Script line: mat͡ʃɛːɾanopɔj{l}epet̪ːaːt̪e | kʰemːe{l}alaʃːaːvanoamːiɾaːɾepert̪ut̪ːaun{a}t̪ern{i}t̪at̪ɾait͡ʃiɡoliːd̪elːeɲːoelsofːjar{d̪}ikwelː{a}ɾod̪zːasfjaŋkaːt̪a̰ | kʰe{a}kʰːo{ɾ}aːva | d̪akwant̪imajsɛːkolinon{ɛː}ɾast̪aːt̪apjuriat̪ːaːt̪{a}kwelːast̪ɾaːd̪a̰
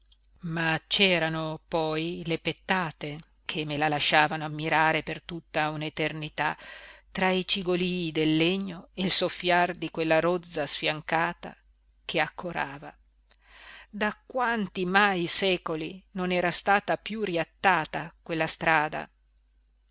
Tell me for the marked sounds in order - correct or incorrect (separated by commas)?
correct, correct, incorrect, correct, correct, correct, correct, correct, correct, correct